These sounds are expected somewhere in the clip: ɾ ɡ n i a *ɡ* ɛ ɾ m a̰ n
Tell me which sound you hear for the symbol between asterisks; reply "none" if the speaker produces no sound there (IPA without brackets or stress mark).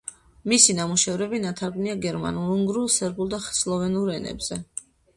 ɡ